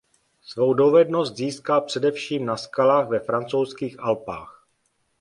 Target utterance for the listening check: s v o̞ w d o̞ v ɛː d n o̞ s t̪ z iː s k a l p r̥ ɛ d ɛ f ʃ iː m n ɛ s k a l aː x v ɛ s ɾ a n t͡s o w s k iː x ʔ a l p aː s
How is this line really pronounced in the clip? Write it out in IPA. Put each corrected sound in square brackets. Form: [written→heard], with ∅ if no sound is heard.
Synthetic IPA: s v o̞ w d o̞ v [ɛː→ɛ] d n o̞ s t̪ z iː s k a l p r̥ ɛ d ɛ f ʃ iː m n [ɛ→a] s k a l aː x v ɛ [s→f] ɾ a n t͡s o w s k iː x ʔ a l p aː [s→x]